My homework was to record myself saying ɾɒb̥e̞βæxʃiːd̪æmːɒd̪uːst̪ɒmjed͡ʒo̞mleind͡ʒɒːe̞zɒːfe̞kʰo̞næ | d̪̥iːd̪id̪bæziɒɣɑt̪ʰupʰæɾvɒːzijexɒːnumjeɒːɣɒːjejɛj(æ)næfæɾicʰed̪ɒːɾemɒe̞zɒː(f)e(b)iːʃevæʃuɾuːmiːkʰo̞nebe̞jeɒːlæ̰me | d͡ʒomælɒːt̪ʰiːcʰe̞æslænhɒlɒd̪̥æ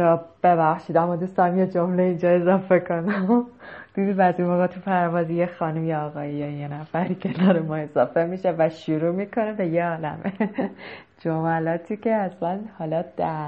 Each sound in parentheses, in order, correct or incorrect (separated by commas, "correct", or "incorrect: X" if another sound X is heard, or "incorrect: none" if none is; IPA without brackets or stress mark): incorrect: e, correct, incorrect: m